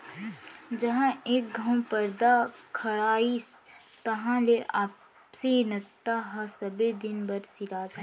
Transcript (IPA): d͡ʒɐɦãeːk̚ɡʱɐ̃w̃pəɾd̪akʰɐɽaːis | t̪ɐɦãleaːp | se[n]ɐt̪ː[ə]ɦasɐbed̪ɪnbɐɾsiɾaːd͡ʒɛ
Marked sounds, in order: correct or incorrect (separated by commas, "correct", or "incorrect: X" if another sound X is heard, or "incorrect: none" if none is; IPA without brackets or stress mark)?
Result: correct, incorrect: a